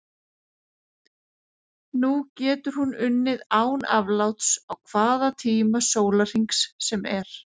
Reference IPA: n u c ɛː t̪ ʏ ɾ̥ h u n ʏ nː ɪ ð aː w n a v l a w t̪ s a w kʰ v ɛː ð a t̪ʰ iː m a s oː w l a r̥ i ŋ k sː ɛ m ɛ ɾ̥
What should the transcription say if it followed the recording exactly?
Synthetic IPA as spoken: n u c ɛː t̪ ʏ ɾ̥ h u n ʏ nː ɪ ð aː w n a v l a w t̪ s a w kʰ v aː ð a t̪ʰ iː m a s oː w l a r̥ i ŋ k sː ɛ m ɛ ɾ̥